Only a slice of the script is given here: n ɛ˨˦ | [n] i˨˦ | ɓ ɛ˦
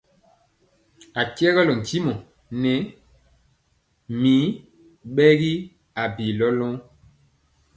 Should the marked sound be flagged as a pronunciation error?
yes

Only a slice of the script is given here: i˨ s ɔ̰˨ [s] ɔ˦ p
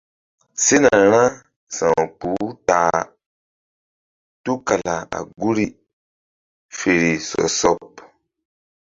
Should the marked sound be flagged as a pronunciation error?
no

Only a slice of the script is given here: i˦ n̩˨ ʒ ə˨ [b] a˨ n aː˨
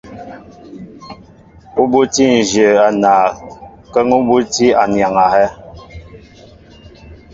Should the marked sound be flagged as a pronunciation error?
yes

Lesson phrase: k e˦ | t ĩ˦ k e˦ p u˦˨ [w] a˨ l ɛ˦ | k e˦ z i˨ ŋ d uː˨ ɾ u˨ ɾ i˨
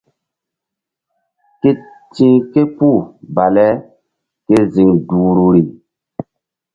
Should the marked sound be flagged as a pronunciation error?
yes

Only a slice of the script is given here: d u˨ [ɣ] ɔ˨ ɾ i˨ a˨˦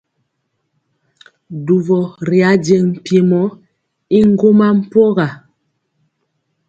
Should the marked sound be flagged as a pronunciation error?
yes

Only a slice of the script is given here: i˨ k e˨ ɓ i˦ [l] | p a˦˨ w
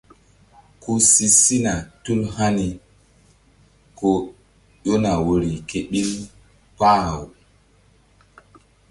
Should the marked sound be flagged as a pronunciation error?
no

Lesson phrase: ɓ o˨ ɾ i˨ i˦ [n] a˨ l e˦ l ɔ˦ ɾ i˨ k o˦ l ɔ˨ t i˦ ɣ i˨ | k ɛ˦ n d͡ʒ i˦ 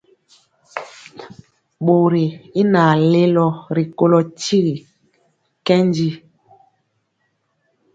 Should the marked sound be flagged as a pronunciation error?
no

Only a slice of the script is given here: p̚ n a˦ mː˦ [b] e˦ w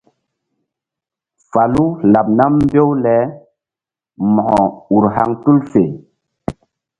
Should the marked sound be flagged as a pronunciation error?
no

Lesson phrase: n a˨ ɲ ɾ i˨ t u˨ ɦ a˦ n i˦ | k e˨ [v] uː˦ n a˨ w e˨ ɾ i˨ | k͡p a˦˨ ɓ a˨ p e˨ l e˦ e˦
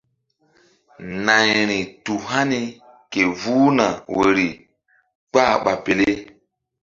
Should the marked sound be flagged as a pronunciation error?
no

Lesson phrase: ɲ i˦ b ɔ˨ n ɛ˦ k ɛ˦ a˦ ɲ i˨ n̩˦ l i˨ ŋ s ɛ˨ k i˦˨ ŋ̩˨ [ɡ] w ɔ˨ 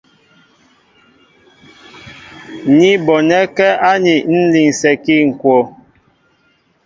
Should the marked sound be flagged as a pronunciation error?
yes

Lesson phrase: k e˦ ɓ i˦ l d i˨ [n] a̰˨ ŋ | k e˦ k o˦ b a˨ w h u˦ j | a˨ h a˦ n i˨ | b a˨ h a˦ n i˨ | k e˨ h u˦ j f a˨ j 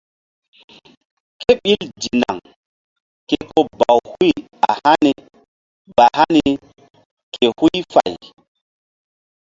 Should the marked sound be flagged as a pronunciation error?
no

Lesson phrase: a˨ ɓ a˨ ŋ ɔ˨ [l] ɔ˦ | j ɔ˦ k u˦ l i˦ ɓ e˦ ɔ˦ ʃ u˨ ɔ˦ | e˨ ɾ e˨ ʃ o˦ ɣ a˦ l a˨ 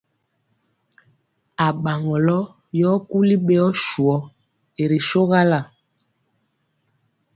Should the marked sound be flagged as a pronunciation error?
no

